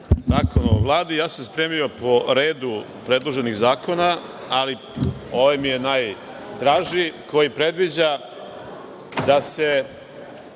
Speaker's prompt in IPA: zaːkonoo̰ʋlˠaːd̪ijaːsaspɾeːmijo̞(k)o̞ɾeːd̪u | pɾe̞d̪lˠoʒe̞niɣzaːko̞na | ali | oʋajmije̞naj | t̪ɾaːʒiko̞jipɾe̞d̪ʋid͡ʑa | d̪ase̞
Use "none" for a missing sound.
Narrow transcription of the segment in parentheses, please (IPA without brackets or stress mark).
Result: p